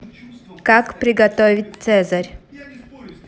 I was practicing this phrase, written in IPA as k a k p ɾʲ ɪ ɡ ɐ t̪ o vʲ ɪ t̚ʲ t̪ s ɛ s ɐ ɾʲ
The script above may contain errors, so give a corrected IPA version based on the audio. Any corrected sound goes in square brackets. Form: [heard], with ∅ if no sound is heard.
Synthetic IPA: k a k p ɾʲ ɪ ɡ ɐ t̪ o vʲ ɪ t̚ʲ t̪ s ɛ [z] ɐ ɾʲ